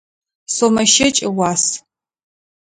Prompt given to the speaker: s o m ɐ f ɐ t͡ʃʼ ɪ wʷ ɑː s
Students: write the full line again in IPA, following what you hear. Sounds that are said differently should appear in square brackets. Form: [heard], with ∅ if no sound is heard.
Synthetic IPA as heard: s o m ɐ [ʃ] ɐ t͡ʃʼ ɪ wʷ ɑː s